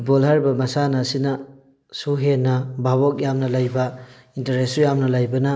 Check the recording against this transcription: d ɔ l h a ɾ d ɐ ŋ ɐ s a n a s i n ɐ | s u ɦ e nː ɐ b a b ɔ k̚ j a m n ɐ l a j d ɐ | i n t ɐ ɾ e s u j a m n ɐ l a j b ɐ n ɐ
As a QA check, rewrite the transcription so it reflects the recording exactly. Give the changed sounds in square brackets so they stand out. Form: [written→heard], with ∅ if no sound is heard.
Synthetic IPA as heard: [d→b] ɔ l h a ɾ [d→b] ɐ [ŋ→m] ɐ s a n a s i n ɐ | s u ɦ e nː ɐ b a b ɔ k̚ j a m n ɐ l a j [d→b] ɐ | i n t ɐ ɾ e s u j a m n ɐ l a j b ɐ n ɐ